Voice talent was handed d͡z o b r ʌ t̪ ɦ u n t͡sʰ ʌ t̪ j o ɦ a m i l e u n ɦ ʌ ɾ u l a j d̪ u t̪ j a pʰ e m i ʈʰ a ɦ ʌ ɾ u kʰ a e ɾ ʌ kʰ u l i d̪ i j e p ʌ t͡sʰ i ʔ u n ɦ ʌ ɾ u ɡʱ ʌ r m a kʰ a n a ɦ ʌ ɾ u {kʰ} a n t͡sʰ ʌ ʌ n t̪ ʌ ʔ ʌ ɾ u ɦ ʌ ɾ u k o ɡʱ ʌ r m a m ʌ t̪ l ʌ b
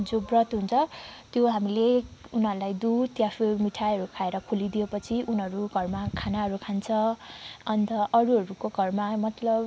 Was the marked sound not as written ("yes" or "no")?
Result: no